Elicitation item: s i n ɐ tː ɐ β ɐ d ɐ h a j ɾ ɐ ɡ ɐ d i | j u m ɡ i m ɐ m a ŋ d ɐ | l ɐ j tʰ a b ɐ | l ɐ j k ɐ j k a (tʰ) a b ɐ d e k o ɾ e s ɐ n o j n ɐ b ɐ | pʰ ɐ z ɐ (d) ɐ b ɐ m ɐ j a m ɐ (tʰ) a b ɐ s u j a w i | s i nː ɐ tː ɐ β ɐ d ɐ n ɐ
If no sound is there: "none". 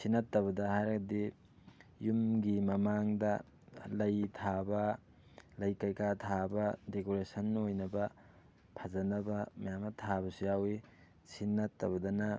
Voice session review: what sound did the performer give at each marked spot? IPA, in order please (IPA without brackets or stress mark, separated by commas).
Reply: tʰ, n, tʰ